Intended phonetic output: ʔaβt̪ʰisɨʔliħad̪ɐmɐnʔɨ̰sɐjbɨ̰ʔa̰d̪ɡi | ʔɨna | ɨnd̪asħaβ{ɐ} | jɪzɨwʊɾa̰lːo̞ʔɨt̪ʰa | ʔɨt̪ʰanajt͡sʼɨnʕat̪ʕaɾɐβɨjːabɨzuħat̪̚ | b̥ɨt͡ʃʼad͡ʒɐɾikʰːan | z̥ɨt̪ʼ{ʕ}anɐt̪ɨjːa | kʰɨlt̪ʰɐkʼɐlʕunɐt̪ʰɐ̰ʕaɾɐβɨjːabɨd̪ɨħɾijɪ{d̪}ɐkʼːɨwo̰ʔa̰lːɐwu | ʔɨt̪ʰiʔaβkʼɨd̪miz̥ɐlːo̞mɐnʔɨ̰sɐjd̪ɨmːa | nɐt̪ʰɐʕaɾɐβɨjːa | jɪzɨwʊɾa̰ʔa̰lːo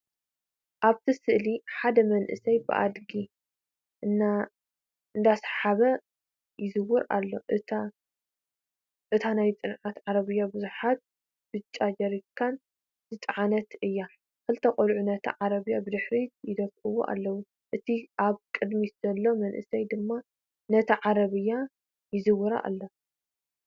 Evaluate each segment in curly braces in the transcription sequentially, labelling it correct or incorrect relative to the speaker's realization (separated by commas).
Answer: correct, correct, correct